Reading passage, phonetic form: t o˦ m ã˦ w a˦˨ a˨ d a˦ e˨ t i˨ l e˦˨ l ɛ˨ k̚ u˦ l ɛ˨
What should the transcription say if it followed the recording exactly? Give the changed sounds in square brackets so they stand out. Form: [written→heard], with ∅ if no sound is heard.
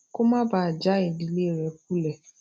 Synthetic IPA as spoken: [t→k] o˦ m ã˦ [w→b] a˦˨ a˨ [d→d͡ʒ] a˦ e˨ [t→d] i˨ l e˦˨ [l→ɾ] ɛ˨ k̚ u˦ l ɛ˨